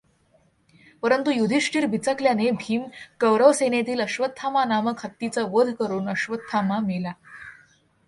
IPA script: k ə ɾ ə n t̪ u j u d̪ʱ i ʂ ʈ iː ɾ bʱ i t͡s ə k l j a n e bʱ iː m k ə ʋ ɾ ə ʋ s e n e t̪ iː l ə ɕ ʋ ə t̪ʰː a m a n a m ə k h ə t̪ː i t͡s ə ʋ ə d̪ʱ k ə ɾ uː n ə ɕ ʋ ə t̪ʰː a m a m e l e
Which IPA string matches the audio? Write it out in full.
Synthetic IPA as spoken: p ə ɾ ə n t̪ u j u d̪ʱ i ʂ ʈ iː ɾ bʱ i t͡s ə k l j a n e bʱ iː m k ə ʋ ɾ ə ʋ s e n e t̪ iː l ə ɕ ʋ ə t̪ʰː a m a n a m ə k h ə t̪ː i t͡s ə ʋ ə d̪ʱ k ə ɾ uː n ə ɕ ʋ ə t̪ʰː a m a m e l a